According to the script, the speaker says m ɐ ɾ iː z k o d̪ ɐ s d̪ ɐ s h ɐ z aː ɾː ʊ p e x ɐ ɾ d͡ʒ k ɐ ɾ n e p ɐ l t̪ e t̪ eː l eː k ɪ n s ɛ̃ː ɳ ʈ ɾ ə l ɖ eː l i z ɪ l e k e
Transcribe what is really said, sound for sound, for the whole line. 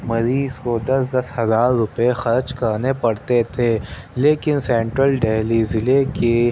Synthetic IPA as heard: m ɐ ɾ iː z k o d̪ ɐ s d̪ ɐ s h ɐ z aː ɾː ʊ p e x ɐ ɾ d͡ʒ k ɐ ɾ n e p ɐ ɽ t̪ e t̪ʰ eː l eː k ɪ n s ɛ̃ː ɳ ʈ ɾ ə l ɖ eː l i z ɪ l e k e